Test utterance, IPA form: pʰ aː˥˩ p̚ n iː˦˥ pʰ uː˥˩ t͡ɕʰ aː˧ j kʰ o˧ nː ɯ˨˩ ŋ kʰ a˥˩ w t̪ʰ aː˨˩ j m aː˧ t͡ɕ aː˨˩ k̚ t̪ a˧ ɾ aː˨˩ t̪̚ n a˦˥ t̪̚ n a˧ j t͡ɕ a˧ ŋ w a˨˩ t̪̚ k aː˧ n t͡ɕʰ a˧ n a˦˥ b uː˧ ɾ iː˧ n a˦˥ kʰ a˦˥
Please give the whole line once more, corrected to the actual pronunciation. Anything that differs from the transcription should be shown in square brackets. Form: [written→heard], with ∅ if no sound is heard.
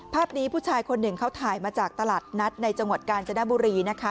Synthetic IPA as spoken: pʰ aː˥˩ p̚ n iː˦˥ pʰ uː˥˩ t͡ɕʰ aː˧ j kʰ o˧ nː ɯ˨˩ ŋ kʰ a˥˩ w t̪ʰ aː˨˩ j m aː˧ t͡ɕ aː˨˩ k̚ t̪ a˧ [ɾ→l] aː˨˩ t̪̚ n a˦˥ t̪̚ n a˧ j t͡ɕ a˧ ŋ w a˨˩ t̪̚ k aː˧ n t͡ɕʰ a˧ n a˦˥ b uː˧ ɾ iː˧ n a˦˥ kʰ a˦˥